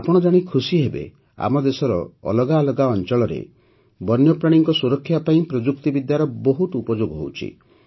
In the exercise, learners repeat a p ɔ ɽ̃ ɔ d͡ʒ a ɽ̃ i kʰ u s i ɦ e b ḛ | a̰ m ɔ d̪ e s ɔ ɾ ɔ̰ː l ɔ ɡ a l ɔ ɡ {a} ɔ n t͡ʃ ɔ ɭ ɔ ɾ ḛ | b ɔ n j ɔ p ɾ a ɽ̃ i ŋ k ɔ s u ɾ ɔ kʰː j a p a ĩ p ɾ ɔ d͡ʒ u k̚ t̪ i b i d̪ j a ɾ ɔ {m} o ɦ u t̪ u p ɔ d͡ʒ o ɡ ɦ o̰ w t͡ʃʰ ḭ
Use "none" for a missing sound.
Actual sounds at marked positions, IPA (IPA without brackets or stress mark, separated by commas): a, b